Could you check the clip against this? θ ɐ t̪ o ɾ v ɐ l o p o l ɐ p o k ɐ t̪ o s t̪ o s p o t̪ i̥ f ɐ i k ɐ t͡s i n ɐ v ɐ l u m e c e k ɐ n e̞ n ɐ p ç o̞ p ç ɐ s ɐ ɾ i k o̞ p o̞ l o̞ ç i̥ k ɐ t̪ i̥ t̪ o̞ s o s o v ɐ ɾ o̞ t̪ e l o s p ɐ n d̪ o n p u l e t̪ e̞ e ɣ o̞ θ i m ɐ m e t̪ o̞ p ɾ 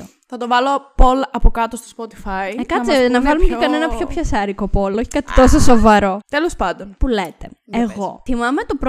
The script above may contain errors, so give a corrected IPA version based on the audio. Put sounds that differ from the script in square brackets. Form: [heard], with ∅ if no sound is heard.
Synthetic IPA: θ ɐ t̪ o [∅] v ɐ l o p o l ɐ p o k ɐ t̪ o s t̪ o s p o t̪ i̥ f ɐ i k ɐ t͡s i n ɐ v ɐ l u m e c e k ɐ n e̞ n ɐ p ç o̞ p ç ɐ s ɐ ɾ i k o̞ p o̞ l o̞ ç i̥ k ɐ t̪ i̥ t̪ o̞ s o s o v ɐ ɾ o̞ t̪ e l o s p ɐ n d̪ o n p u l e t̪ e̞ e ɣ o̞ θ i m ɐ m e t̪ o̞ p ɾ